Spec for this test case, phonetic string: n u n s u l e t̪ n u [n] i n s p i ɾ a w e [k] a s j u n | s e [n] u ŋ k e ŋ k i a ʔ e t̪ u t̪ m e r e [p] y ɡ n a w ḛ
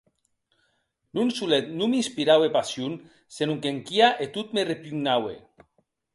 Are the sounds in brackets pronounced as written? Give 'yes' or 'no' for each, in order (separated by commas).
no, no, yes, yes